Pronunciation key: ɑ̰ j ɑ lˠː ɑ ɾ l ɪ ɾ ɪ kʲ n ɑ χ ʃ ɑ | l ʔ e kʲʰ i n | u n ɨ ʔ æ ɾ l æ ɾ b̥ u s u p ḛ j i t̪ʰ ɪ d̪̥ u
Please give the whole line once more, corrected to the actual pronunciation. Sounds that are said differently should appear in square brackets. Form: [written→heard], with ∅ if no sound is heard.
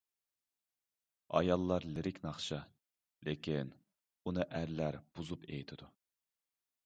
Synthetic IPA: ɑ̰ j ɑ lˠː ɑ ɾ l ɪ ɾ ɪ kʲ n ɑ χ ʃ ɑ | l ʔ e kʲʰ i n | u n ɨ ʔ æ ɾ l æ ɾ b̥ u [s→z] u p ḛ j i t̪ʰ ɪ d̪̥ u